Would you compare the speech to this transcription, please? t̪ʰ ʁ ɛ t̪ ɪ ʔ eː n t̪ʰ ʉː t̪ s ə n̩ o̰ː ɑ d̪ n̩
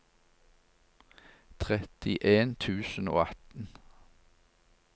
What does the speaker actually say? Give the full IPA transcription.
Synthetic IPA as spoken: t̪ʰ ʁ ɛ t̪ ɪ ʔ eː n t̪ʰ ʉː s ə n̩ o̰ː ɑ t̪ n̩